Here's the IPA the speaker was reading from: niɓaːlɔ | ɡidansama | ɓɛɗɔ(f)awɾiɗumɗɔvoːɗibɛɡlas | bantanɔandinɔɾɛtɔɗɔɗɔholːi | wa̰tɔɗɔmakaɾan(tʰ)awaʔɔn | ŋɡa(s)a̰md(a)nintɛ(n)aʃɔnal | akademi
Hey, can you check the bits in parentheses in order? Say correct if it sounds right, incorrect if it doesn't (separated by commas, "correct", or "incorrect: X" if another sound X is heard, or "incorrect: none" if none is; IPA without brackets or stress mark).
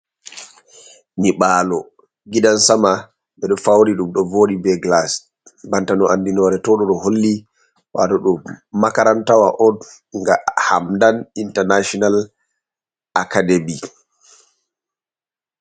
correct, incorrect: t, incorrect: h, correct, correct